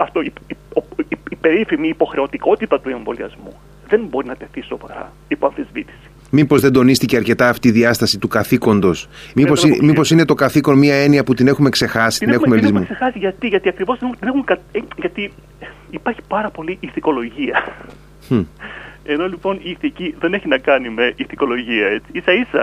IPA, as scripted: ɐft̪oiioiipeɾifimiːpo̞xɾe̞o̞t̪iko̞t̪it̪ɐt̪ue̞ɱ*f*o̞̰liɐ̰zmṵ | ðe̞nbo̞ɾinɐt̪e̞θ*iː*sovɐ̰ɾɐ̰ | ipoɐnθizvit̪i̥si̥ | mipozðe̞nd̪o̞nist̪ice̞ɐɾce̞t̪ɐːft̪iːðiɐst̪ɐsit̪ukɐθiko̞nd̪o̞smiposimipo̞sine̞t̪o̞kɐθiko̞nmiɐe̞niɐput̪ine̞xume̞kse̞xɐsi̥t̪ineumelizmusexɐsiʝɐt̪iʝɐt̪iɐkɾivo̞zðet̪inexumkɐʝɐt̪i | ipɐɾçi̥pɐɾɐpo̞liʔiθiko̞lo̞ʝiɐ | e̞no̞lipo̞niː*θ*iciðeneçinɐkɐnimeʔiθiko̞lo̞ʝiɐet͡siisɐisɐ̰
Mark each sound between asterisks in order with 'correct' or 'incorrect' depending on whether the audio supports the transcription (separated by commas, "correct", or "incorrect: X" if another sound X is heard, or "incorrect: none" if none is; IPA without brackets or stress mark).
incorrect: v, incorrect: i, correct